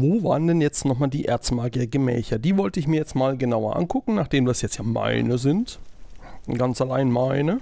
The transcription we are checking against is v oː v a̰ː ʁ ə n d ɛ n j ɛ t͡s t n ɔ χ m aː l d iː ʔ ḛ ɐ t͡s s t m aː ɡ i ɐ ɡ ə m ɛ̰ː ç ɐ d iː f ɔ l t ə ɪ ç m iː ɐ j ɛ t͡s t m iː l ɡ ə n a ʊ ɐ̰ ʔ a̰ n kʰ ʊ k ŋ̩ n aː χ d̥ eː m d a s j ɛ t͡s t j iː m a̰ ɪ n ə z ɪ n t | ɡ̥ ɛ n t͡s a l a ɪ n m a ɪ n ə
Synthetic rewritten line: v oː v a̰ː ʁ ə n d ɛ n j ɛ t͡s t n ɔ χ m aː l d iː ʔ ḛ ɐ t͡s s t m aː ɡ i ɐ ɡ ə m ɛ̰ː ç ɐ d iː v ɔ l t ə ɪ ç m iː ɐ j ɛ t͡s t m aː l ɡ ə n a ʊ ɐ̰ ʔ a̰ n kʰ ʊ k ŋ̩ n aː χ d̥ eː m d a s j ɛ t͡s t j aː m a̰ ɪ n ə z ɪ n t | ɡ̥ a n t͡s a l a ɪ n m a ɪ n ə

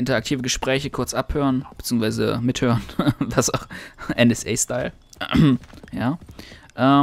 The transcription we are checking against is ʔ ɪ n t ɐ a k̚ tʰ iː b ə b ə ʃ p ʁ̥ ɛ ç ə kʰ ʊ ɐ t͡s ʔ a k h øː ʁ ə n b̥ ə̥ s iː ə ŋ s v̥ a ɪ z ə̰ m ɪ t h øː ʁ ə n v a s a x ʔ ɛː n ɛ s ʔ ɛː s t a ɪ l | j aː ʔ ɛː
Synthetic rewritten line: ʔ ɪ n t ɐ a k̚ tʰ iː v ə ɡ ə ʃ p ʁ̥ ɛː ç ə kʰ ʊ ɐ t͡s ʔ a p h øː ʁ ə n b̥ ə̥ t͡s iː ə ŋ s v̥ a ɪ z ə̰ m ɪ t h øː ʁ ə n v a s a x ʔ ɛ n ɛ s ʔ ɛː s t a ɪ l | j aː ʔ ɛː

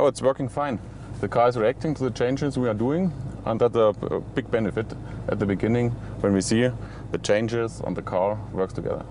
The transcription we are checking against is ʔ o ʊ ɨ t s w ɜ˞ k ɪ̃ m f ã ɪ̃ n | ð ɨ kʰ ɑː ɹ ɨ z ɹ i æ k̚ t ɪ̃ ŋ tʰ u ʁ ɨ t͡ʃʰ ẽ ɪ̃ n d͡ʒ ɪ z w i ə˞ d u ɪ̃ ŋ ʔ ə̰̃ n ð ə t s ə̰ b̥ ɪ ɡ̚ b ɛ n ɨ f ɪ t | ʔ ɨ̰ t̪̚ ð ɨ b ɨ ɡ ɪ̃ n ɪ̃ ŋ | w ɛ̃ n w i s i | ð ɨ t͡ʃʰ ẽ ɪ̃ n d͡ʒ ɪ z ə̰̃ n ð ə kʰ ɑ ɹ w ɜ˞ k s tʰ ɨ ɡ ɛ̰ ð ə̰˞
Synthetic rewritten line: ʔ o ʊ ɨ t s w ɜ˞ k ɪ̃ ŋ f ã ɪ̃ n | ð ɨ kʰ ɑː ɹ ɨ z ɹ i æ k̚ t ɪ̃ ŋ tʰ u ð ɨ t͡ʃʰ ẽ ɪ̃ n d͡ʒ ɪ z w i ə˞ d u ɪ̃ ŋ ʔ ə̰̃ n ð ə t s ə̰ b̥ ɪ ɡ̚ b ɛ n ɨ f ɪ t | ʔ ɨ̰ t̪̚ ð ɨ b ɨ ɡ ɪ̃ n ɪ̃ ŋ | w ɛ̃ n w i s i | ð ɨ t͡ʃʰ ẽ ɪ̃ n d͡ʒ ɪ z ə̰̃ n ð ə kʰ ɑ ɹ w ɜ˞ k s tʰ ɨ ɡ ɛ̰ ð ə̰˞

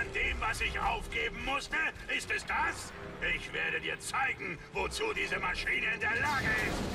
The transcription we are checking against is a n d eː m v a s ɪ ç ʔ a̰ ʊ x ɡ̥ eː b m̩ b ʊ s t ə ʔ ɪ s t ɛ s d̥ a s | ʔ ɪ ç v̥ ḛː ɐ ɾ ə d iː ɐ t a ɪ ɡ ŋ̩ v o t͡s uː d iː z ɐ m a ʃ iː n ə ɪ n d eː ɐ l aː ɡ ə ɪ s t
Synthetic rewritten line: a n d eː m v a s ɪ ç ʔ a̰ ʊ f ɡ̥ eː b m̩ m ʊ s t ə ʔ ɪ s t ɛ s d̥ a s | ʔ ɪ ç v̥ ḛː ɐ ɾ ə d iː ɐ t͡s a ɪ ɡ ŋ̩ v o t͡s uː d iː z ə m a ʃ iː n ə ɪ n d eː ɐ l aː ɡ ə ɪ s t

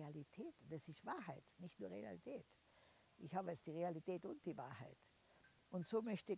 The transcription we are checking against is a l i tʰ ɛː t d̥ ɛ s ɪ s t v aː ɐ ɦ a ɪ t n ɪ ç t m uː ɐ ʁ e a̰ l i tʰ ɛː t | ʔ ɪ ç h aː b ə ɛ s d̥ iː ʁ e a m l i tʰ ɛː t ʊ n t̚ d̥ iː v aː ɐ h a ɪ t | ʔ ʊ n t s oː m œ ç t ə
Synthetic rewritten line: a l i tʰ ɛː t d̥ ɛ s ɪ s t v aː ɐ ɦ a ɪ t n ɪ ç t n uː ɐ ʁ e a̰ l i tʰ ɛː t | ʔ ɪ ç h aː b ə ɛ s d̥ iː ʁ e a l i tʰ ɛː t ʊ n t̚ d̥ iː v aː ɐ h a ɪ t | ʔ ʊ n t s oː m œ ç t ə

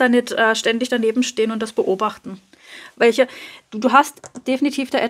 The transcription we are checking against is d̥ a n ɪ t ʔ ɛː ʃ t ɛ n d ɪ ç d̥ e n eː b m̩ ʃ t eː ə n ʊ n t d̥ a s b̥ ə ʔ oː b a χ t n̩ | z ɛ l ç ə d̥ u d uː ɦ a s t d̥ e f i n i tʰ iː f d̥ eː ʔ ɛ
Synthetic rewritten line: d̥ a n ɪ t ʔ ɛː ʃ t ɛ n d ɪ ç d̥ a n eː b m̩ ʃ t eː ə n ʊ n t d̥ a s b̥ ə ʔ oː b a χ t n̩ | v ɛ l ç ə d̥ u d uː ɦ a s t d̥ e f i n i tʰ iː f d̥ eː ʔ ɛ

